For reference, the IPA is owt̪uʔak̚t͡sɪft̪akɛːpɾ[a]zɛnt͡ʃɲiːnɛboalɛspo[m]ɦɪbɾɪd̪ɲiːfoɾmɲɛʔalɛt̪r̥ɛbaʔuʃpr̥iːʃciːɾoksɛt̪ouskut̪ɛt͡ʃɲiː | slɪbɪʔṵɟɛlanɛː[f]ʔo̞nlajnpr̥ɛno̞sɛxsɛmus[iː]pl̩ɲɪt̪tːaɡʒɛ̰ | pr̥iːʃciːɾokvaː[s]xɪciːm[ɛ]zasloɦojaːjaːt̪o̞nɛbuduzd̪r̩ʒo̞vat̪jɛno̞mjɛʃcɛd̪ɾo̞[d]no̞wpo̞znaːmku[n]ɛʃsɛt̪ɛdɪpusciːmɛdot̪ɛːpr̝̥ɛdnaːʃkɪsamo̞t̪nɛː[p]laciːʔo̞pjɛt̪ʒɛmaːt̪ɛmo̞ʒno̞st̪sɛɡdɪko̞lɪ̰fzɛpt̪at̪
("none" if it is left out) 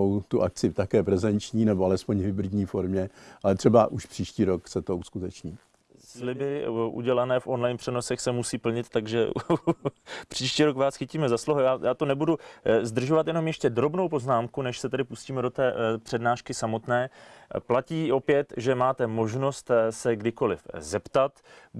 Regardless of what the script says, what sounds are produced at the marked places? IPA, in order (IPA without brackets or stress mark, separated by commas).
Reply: ɛ, ɲ, f, iː, s, ɛ, b, n, p